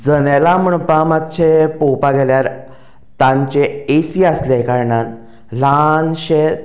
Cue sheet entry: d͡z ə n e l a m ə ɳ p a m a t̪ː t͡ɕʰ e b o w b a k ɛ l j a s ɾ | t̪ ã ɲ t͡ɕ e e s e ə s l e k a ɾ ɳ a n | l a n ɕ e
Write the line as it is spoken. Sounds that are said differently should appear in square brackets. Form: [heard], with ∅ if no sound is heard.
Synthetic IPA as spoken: d͡z ə n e l a m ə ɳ p a m a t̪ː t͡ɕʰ e [p] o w [p] a [ɡ] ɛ l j a [∅] ɾ | t̪ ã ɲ t͡ɕ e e s [i] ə s l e k a ɾ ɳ a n | l a n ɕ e